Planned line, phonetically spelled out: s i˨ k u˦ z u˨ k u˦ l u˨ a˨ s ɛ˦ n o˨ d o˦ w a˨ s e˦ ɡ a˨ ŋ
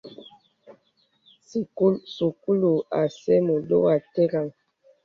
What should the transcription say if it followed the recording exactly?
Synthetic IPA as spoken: s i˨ k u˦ s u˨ k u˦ l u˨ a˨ s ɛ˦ m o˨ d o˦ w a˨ t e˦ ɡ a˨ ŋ